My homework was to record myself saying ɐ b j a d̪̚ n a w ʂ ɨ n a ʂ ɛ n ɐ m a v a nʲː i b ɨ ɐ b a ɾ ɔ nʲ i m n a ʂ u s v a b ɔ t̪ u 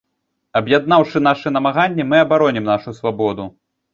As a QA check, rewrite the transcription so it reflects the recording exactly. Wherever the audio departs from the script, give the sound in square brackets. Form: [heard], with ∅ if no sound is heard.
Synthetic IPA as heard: ɐ b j a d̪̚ n a w ʂ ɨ n a ʂ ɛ n ɐ m a [ɣ] a nʲː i [m] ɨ ɐ b a ɾ ɔ nʲ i m n a ʂ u s v a b ɔ [d̪] u